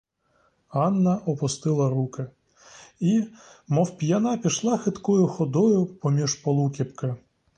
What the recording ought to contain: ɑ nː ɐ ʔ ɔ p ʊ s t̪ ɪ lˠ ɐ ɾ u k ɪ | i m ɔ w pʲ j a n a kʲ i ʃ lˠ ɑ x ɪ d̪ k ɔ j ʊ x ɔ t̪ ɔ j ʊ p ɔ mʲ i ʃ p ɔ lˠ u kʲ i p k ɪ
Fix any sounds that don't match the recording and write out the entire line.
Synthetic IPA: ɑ nː ɐ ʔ ɔ p ʊ s t̪ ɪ lˠ ɐ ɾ u k ɪ | i m ɔ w pʲ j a n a pʲ i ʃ lˠ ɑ x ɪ t̪ k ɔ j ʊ x ɔ d̪ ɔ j ʊ p ɔ mʲ i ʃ p ɔ lˠ u kʲ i p k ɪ